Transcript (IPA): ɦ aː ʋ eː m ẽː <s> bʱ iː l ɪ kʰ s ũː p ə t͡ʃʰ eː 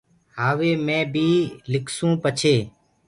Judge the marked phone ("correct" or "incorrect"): incorrect